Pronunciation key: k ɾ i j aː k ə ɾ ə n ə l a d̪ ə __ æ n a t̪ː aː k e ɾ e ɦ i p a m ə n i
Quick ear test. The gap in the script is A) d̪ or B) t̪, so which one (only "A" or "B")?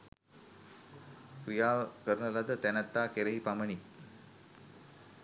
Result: B